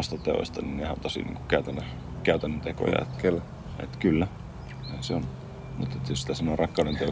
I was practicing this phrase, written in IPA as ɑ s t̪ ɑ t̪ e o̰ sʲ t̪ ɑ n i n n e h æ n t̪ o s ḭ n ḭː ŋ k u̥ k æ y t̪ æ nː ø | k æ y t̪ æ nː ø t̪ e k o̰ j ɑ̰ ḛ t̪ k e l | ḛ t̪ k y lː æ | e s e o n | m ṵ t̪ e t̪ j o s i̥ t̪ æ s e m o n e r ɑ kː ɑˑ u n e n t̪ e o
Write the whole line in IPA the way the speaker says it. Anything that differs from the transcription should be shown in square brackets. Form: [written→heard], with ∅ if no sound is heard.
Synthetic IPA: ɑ s t̪ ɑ t̪ e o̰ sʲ t̪ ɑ n i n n e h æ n t̪ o s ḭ n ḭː ŋ k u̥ k æ y t̪ æ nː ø | k æ y t̪ æ nː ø t̪ e k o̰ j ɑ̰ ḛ t̪ k e l | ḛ t̪ k y lː æ | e s e o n | m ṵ t̪ e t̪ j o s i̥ t̪ æ s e m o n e r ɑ kː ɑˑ u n e n t̪ e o